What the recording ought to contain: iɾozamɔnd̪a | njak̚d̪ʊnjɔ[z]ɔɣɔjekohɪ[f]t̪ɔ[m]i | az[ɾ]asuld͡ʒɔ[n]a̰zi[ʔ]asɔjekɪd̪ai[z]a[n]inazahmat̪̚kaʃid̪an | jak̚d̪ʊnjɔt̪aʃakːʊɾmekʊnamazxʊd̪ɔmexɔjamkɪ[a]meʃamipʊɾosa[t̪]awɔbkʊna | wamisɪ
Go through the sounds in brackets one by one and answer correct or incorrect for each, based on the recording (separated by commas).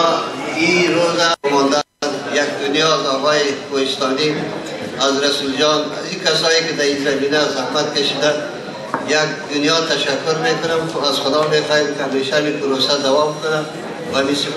correct, incorrect, incorrect, correct, correct, incorrect, correct, incorrect, correct, incorrect